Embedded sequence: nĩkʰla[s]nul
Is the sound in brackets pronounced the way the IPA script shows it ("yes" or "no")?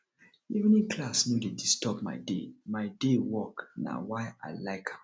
yes